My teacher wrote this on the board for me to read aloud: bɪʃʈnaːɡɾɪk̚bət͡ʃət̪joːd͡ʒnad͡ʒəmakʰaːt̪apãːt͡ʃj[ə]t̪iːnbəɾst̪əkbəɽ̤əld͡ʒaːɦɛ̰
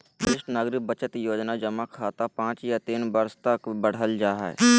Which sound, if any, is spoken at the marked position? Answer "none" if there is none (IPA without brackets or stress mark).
a